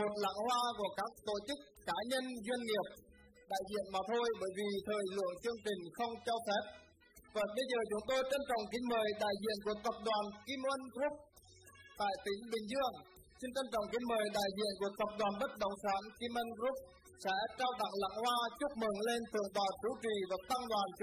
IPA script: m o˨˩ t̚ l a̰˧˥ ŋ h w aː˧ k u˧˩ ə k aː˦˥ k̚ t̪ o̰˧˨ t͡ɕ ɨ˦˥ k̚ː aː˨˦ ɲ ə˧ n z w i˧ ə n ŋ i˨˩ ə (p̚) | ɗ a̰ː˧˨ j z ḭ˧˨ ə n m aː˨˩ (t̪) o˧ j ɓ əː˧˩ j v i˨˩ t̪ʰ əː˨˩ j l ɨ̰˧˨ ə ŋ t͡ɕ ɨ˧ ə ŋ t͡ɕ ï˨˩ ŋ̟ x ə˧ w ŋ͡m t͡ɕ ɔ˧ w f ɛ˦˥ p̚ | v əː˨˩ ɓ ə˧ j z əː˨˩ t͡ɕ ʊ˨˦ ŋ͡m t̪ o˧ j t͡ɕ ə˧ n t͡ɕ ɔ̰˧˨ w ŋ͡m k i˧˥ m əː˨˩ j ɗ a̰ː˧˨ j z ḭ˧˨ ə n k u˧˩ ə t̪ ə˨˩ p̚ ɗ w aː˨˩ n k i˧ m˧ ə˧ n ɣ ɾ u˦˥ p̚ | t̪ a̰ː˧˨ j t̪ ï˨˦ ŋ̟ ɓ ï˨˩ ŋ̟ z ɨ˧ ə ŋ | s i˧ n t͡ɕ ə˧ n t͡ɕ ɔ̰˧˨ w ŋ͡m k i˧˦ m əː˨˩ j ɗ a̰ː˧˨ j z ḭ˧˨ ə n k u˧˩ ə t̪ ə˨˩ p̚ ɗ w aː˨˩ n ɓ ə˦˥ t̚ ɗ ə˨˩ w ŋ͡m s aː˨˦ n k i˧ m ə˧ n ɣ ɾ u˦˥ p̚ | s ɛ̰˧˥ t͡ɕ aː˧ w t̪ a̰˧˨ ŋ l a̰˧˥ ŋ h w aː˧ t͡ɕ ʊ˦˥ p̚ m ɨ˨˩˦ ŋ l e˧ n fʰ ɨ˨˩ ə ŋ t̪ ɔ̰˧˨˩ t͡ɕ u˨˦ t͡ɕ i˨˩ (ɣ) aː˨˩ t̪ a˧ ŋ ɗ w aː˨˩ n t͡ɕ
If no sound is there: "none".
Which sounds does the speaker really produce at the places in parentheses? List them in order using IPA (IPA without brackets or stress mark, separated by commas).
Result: p̚, t̪ʰ, v